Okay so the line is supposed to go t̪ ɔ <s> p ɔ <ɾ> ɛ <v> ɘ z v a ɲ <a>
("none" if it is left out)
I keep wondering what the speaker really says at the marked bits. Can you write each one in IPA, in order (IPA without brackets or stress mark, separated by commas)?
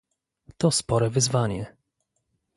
s, ɾ, v, ɛ